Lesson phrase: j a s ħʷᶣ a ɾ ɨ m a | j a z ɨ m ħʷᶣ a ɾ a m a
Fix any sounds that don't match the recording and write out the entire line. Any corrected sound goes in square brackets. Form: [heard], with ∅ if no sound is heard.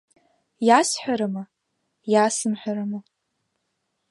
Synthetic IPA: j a s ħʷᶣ a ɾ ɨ m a | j a [s] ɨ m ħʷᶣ a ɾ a m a

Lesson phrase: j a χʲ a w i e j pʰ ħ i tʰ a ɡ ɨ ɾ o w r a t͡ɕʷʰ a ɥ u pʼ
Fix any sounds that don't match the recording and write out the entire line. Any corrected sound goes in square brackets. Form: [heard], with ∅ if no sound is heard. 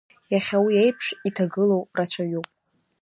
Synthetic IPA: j a χʲ a w i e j pʰ [ʂ] i tʰ a ɡ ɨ [l] o w r a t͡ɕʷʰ a ɥ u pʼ

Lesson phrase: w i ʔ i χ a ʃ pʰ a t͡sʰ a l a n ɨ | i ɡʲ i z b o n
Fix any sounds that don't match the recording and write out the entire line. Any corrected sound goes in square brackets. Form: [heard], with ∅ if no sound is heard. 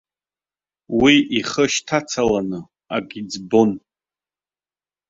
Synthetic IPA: w i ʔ i χ [ə] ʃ [tʰ] a t͡sʰ a l a n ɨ | [a] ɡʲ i [d͡z] b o n

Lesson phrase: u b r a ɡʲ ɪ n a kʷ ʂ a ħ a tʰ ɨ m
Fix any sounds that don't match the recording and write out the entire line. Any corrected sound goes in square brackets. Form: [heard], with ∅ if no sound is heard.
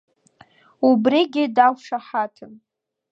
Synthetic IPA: u b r [i] ɡʲ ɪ [d] a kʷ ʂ a ħ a tʰ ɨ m

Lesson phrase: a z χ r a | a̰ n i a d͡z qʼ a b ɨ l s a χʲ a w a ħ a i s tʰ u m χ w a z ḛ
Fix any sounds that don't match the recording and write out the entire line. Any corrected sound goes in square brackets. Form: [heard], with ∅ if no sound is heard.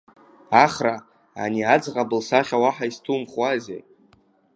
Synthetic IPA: a [∅] χ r a | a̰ n i a d͡z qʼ a b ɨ l s a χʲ a w a ħ a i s tʰ u m χ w a z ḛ

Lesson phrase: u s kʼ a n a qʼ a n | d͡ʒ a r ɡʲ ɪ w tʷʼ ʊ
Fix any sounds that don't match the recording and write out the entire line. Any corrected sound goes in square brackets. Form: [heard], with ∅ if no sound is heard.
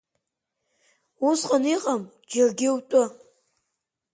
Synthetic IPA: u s [qʼ] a n [i] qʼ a [m] | d͡ʒ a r ɡʲ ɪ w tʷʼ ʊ

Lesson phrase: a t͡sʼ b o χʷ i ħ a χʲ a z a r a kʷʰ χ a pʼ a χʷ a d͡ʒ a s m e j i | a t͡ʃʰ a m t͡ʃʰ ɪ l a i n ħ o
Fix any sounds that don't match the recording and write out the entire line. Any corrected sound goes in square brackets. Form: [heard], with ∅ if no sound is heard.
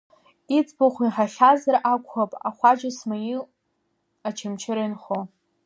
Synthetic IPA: [i] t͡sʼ b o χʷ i ħ a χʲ a z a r a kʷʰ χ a pʼ a χʷ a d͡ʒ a s m [a] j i | a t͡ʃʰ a m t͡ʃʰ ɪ [ɾ] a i n [χ] o

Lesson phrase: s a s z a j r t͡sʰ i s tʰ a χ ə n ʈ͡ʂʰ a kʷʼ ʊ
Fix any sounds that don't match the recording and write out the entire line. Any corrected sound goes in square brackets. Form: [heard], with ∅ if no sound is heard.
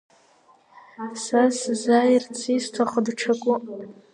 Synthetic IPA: s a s z a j r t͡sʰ i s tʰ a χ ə [d] ʈ͡ʂʰ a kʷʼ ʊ

